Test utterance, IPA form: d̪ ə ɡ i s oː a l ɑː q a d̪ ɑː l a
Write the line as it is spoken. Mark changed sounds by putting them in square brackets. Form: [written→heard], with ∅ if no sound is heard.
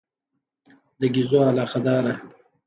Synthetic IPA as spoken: d̪ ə ɡ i [s→z] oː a l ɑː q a d̪ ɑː [l→ɾ] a